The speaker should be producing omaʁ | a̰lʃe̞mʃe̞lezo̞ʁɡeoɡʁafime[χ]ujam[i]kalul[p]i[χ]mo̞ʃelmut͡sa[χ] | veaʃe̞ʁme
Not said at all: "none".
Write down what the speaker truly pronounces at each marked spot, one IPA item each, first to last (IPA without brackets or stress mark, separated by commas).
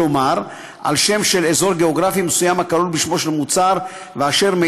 s, a, b, ʃ, ʁ